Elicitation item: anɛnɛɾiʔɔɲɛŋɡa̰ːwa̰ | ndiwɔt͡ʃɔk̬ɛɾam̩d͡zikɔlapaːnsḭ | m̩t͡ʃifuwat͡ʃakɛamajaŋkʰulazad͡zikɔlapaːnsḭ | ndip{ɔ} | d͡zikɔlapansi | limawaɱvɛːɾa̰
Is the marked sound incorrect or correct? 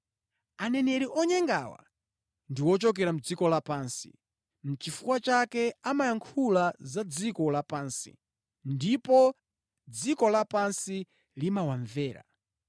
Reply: correct